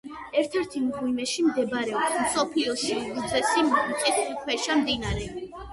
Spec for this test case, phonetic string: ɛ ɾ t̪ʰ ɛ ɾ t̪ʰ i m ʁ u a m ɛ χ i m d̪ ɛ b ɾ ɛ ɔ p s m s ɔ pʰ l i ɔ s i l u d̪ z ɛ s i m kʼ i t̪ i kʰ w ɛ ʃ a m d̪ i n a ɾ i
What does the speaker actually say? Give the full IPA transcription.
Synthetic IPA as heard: ɛ ɾ t̪ʰ ɛ ɾ t̪ʰ i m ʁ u i m ɛ ʃ i m d̪ ɛ b ɾ ɛ ɔ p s m s ɔ pʰ l i ɔ ʃ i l u d̪ z ɛ s i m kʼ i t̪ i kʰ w ɛ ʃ a m d̪ i n a ɾ ɛ